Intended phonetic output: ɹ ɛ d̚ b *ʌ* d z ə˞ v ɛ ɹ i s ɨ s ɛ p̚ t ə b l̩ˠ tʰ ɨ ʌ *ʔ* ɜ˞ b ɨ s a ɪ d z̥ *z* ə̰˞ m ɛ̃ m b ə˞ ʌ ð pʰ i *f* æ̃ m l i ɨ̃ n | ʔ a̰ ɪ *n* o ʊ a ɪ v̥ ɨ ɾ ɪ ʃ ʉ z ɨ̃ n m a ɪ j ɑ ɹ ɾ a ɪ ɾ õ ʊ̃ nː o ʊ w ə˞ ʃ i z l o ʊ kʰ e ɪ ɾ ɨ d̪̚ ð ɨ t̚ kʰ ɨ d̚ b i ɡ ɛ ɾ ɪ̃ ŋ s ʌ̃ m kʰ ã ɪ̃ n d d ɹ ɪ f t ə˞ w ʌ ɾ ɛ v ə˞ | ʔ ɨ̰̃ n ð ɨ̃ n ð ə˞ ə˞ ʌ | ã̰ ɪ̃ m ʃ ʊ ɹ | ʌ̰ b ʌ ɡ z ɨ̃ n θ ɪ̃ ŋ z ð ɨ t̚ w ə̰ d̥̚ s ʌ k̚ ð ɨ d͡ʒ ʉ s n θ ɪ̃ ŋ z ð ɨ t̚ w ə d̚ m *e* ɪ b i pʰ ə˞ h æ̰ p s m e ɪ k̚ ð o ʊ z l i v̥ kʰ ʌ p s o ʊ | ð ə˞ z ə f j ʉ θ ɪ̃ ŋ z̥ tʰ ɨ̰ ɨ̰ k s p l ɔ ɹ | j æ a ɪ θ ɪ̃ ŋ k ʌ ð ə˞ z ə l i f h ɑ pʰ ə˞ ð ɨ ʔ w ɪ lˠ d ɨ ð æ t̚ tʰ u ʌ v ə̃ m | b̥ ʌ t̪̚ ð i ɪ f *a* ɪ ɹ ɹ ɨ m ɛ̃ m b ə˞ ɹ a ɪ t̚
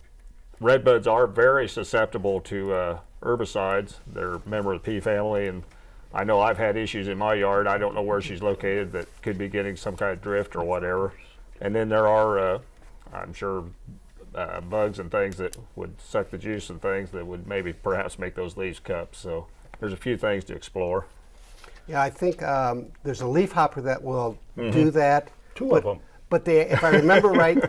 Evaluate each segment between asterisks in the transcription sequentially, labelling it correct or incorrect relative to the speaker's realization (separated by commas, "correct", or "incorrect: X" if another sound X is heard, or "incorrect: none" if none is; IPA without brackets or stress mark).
correct, correct, incorrect: ð, correct, correct, correct, correct